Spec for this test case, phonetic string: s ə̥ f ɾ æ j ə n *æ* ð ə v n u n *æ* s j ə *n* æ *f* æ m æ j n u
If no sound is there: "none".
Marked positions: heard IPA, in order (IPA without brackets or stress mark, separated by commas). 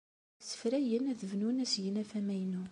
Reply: æ, æ, n, f